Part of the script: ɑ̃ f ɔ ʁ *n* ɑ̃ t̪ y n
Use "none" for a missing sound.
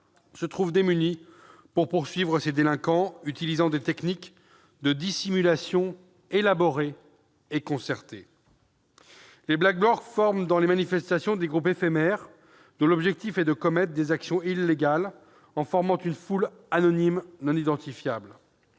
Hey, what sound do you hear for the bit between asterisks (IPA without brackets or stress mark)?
m